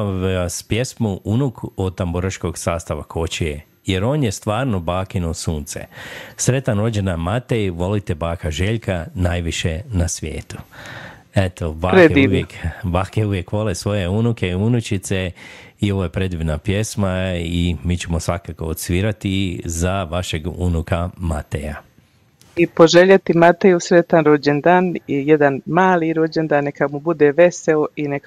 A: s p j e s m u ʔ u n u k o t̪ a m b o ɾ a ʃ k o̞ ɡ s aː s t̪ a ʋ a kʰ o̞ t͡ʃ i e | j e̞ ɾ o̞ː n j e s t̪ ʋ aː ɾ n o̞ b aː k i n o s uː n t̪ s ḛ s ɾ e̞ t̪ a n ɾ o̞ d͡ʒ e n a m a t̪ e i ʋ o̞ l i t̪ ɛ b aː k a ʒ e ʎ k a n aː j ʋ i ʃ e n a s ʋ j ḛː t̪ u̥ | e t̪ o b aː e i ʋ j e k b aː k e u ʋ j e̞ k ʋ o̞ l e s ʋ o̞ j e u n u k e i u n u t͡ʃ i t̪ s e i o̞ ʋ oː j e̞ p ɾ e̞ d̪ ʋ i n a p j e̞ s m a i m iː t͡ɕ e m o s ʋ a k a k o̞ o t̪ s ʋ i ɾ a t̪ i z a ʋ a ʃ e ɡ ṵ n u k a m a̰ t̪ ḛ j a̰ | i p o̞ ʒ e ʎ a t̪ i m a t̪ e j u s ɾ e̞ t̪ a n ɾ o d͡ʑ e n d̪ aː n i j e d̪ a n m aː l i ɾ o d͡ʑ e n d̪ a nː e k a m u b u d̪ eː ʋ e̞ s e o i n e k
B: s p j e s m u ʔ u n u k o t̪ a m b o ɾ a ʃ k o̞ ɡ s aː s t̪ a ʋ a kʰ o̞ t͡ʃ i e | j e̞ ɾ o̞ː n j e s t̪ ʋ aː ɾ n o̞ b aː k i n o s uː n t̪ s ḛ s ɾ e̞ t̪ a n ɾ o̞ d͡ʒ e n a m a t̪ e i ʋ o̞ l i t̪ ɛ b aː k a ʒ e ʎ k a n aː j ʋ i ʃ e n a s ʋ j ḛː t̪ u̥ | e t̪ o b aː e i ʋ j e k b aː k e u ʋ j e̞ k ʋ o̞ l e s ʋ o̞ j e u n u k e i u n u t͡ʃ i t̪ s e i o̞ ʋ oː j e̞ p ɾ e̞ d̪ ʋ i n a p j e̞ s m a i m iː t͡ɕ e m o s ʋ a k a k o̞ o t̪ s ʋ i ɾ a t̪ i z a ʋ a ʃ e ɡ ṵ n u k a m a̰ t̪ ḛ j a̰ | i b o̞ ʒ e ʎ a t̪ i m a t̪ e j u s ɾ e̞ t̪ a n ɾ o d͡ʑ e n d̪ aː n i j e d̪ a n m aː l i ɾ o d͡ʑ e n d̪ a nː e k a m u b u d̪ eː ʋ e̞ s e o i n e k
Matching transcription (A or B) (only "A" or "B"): A